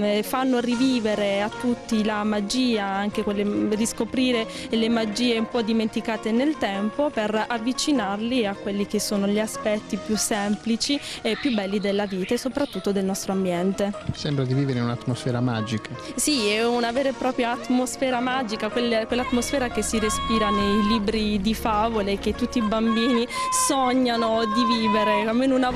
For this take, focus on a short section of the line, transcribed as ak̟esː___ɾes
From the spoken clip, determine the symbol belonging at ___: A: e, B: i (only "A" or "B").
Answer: B